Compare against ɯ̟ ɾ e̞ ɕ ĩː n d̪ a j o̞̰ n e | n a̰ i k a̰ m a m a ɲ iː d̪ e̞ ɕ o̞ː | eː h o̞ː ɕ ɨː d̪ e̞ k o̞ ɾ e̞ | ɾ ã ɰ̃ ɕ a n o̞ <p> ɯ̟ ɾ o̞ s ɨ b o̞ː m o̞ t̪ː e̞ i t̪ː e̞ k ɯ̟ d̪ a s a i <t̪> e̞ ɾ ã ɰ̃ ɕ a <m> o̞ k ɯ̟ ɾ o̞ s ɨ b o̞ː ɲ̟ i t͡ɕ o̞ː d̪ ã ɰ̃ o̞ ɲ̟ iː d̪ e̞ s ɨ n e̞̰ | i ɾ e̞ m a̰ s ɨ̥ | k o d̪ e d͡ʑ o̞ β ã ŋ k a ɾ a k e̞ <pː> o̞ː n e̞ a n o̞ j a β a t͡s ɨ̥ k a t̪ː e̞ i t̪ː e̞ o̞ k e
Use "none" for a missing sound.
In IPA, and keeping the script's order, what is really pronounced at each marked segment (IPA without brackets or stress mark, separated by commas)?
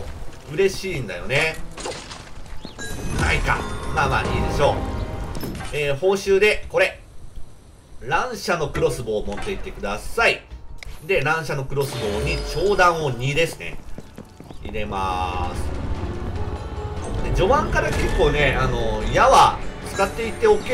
k, d̪, n, kː